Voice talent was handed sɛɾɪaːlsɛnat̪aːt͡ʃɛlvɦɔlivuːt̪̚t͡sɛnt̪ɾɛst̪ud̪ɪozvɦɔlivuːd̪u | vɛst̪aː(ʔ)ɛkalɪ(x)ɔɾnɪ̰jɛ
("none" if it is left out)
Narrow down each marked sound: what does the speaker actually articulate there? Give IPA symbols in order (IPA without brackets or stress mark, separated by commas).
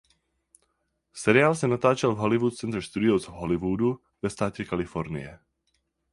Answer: c, f